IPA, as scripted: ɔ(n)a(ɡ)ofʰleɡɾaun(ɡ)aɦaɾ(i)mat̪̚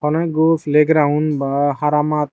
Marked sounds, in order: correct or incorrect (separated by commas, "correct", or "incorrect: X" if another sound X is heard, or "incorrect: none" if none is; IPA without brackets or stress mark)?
correct, correct, incorrect: b, incorrect: a